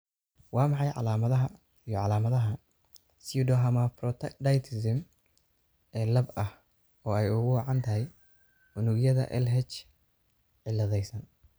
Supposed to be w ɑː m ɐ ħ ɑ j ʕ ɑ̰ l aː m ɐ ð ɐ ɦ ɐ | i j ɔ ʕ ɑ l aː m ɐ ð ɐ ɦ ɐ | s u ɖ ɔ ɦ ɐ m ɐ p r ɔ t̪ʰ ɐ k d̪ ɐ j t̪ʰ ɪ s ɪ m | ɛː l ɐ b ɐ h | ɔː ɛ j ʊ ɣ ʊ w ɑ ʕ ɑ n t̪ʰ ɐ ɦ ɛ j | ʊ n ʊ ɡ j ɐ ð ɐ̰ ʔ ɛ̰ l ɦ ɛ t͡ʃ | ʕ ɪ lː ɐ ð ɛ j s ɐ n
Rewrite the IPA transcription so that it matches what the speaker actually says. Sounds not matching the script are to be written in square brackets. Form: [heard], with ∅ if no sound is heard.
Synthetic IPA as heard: w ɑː m [ɑ] ħ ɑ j ʕ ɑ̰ l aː m ɐ ð ɐ ɦ ɐ | i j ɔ ʕ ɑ l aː m ɐ ð ɐ ɦ ɐ | s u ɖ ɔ ɦ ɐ m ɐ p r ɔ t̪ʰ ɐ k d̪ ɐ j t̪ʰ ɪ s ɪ m | ɛː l ɐ b ɐ h | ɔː ɛ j ʊ ɣ ʊ w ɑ ʕ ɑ n t̪ʰ ɐ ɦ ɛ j | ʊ n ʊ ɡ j ɐ ð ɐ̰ ʔ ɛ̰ l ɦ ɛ t͡ʃ | ʕ ɪ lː ɐ ð ɛ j s ɐ n